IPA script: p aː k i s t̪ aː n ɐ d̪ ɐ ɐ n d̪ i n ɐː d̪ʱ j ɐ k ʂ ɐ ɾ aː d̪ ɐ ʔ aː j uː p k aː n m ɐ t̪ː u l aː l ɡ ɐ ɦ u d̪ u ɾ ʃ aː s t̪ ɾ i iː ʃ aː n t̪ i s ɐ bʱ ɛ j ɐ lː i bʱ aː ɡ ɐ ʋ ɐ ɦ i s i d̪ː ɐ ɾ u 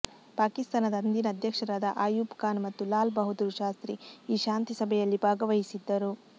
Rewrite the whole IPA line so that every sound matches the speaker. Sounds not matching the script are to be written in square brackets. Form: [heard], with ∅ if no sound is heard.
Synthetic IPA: p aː k i s t̪ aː n ɐ d̪ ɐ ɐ n d̪ i n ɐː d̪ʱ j ɐ k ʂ ɐ ɾ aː d̪ ɐ ʔ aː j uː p k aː n m ɐ t̪ː u l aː l [b] ɐ ɦ u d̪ u ɾ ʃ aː s t̪ ɾ i iː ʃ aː n t̪ i s ɐ bʱ ɛ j ɐ lː i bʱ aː ɡ ɐ ʋ ɐ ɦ i s i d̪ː ɐ ɾ u